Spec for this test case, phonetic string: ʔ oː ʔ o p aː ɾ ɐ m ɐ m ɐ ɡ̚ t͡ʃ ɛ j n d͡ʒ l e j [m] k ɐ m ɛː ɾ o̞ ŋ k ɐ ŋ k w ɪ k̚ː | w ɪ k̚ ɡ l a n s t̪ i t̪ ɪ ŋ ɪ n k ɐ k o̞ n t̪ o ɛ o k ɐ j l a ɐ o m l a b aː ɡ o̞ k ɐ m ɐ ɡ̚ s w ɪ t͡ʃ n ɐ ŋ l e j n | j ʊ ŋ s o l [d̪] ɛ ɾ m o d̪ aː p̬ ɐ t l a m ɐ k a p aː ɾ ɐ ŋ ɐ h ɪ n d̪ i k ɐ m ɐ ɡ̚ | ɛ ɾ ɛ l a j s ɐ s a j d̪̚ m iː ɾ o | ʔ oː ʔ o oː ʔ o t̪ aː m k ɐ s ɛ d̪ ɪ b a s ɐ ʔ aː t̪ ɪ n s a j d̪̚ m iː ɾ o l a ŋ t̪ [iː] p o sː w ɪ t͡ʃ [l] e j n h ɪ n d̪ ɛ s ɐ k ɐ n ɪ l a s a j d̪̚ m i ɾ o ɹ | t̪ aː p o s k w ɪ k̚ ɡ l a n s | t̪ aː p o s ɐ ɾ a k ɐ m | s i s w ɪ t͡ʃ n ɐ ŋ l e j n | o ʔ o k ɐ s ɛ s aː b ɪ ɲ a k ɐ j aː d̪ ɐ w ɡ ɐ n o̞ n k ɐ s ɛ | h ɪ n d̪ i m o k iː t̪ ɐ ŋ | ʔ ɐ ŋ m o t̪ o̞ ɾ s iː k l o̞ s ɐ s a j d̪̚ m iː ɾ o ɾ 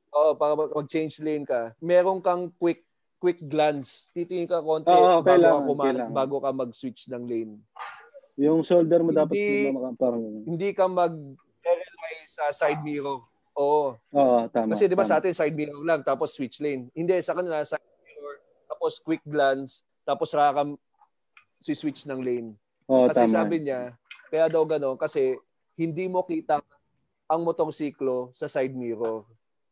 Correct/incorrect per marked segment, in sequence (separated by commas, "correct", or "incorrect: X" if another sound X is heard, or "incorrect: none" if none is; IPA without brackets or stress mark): incorrect: n, correct, incorrect: aː, correct